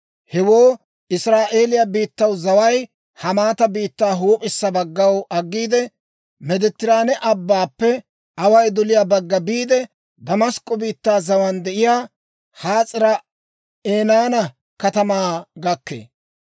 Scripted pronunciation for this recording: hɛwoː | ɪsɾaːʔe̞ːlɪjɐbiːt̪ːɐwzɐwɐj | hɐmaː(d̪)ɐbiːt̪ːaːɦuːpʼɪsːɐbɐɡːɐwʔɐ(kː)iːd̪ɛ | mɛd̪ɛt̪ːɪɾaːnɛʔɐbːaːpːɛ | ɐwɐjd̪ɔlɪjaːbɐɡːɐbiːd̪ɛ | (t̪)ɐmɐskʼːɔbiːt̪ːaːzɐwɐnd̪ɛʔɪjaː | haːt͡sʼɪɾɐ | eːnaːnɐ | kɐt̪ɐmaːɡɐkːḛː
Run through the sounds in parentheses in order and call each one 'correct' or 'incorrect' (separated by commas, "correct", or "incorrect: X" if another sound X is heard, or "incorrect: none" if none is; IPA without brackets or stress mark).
incorrect: t̪, incorrect: ɡː, incorrect: d̪